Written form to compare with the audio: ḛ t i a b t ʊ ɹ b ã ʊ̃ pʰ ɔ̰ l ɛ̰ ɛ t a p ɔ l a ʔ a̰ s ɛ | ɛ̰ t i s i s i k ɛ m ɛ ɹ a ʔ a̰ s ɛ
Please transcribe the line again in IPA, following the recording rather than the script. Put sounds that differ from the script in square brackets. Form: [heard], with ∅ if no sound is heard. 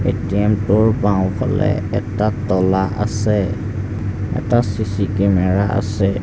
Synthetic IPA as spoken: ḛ t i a [m] t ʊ ɹ b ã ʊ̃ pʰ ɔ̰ l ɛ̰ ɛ t a [t] ɔ l a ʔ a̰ s ɛ | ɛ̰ t [a] s i s i k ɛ m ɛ ɹ a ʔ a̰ s ɛ

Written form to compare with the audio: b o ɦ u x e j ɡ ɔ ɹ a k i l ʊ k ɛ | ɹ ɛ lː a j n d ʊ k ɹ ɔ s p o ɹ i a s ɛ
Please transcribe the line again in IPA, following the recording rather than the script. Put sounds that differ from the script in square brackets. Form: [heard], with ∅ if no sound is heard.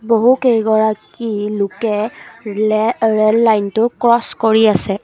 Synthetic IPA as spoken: b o ɦ u [k] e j ɡ ɔ ɹ a k i l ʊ k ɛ | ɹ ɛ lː a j n [t] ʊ k ɹ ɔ s [k] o ɹ i a s ɛ

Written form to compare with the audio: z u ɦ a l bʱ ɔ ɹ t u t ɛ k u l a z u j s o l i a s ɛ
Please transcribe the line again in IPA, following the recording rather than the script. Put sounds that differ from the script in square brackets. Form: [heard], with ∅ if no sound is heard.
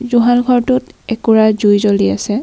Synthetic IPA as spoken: z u ɦ a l [ɡʱ] ɔ ɹ t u t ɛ k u [ɹ] a z u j [z] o l i a s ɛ

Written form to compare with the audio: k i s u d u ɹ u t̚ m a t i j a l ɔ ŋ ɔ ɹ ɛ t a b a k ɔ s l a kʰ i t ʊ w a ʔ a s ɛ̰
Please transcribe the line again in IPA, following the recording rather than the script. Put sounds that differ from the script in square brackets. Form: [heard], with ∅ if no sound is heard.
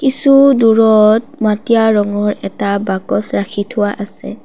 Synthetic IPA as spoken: k i s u d u ɹ [ɔ] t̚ m a t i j a [ɹ] ɔ ŋ ɔ ɹ ɛ t a b a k ɔ s [ɹ] a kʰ i [tʰ] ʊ w a ʔ a s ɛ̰

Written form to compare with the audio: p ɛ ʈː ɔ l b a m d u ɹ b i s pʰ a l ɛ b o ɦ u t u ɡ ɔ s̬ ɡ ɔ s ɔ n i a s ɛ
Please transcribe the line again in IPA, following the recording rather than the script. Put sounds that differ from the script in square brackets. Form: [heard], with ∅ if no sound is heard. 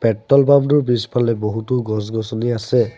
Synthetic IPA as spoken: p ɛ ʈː ɔ l b a m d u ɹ b i s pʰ a l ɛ b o ɦ u t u ɡ ɔ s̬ ɡ ɔ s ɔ n i a s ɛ

